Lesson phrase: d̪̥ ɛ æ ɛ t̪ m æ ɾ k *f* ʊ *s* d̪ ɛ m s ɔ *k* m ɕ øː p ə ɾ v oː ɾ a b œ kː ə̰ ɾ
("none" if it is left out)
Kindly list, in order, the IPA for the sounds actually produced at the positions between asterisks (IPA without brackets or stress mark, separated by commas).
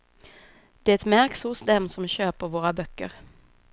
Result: s, s, none